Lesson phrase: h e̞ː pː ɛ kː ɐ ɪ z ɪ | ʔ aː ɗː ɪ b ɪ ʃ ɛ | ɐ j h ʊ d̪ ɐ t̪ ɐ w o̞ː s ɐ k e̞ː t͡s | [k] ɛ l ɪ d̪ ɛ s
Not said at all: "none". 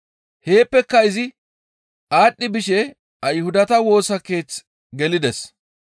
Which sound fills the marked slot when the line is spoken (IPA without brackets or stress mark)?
ɡ